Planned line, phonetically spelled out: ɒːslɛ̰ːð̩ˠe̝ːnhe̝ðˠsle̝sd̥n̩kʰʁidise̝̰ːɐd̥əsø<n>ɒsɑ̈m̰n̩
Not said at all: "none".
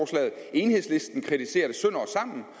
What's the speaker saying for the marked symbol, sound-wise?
n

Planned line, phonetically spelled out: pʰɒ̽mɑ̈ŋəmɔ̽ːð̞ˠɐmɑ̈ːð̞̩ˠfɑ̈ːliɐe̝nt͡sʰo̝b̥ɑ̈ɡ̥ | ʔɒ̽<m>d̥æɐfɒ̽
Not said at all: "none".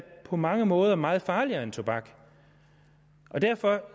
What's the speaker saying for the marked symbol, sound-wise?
none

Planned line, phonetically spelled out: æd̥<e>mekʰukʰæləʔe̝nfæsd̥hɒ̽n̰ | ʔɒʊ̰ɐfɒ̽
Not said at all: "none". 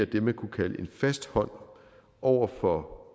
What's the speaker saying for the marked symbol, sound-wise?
e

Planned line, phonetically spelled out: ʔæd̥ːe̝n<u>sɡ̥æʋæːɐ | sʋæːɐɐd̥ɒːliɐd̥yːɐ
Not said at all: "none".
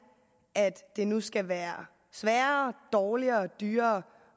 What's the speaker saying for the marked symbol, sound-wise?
u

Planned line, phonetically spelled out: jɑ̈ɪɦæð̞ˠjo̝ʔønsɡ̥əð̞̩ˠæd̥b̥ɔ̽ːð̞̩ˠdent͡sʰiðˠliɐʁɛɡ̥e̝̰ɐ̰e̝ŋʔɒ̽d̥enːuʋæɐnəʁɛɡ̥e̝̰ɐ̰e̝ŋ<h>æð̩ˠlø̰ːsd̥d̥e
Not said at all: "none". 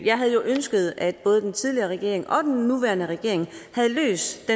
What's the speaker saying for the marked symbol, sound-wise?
h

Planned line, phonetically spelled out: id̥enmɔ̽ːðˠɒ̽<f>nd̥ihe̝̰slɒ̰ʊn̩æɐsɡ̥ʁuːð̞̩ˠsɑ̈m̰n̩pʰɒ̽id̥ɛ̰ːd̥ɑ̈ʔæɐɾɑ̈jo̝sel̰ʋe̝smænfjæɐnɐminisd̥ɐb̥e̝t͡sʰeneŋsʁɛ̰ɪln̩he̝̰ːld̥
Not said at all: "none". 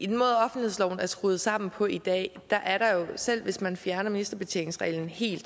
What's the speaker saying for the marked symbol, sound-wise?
f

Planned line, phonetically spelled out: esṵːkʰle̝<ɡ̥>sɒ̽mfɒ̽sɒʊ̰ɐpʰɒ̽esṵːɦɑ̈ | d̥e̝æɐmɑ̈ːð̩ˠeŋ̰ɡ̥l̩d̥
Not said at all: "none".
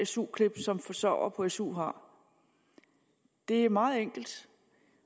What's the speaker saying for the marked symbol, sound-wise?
b̥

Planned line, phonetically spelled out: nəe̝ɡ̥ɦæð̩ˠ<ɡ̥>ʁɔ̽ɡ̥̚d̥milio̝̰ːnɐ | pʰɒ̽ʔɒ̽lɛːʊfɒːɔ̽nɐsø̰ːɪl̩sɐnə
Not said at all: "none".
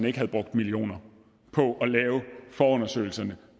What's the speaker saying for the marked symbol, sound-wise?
b̥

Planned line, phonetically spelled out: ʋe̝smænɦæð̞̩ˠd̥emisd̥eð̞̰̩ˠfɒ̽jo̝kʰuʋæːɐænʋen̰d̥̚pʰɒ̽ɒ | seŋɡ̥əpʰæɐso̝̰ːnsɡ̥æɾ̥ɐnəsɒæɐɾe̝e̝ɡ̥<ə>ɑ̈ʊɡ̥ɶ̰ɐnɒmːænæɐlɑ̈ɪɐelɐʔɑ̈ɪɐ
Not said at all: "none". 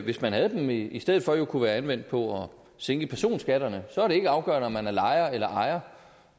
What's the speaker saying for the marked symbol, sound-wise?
ə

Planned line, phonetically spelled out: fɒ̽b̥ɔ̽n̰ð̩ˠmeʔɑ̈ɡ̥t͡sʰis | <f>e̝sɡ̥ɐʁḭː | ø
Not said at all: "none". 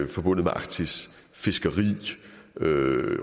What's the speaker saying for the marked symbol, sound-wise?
f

